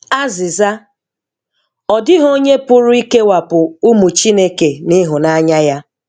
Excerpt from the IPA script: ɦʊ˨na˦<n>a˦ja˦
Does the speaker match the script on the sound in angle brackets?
no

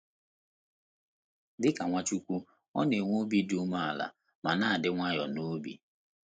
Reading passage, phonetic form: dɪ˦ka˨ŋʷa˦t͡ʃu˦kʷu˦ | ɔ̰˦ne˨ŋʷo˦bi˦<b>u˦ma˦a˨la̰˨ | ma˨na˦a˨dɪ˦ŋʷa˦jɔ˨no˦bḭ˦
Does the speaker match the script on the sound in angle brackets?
no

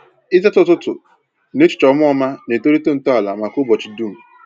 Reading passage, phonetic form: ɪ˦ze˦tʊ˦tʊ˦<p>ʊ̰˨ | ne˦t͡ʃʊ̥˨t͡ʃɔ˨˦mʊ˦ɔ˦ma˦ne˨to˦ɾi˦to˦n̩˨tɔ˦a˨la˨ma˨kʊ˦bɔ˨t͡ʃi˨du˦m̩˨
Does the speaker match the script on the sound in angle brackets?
no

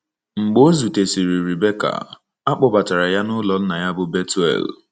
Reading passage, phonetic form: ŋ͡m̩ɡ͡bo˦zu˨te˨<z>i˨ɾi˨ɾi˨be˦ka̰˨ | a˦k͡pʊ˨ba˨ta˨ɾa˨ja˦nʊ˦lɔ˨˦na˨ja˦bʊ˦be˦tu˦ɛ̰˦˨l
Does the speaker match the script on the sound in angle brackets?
no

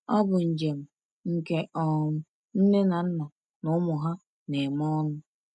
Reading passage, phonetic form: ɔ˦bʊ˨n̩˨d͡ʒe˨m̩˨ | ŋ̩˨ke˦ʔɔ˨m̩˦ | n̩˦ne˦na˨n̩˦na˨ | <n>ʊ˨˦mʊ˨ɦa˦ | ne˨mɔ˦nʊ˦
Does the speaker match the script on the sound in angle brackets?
yes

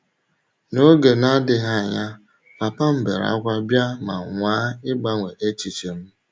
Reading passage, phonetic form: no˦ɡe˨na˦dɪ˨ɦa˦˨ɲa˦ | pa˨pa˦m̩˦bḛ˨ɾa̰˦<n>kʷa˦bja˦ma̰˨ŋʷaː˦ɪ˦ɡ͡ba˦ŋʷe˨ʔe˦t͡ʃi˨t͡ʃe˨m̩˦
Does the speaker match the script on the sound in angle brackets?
no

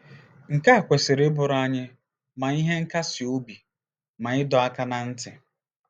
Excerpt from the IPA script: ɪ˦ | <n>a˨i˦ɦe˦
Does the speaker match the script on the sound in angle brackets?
no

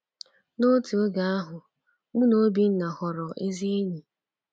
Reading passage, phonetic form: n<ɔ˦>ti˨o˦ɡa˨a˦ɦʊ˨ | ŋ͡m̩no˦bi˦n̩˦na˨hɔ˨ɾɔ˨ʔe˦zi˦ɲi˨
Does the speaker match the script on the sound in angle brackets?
no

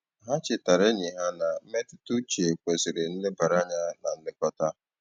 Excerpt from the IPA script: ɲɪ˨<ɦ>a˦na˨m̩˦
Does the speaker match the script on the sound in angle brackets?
yes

